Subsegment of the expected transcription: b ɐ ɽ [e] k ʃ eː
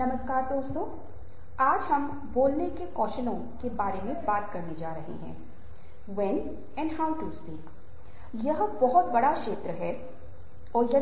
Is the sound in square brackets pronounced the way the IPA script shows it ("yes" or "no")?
no